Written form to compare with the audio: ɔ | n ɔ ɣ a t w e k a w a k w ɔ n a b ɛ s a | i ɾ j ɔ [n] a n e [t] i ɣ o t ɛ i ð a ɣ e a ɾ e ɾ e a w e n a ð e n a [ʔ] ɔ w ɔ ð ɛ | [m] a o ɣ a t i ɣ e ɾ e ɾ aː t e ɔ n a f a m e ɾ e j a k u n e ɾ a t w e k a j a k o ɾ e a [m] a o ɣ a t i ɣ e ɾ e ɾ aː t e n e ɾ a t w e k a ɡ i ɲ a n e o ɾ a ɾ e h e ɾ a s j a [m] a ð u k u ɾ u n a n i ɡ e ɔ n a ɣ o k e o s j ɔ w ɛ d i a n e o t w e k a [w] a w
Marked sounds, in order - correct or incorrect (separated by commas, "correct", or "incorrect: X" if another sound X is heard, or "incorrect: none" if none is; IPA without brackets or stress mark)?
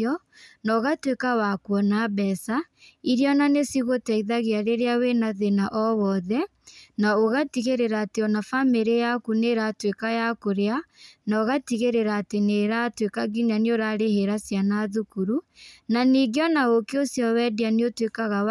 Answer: correct, incorrect: s, correct, incorrect: n, incorrect: n, incorrect: n, incorrect: ɣ